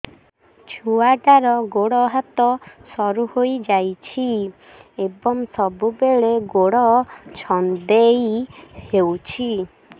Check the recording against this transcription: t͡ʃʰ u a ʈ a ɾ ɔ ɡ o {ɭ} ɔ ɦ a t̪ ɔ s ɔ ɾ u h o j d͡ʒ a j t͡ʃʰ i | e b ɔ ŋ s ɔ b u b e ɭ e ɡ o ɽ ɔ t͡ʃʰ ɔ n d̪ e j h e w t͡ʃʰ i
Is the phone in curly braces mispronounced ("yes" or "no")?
yes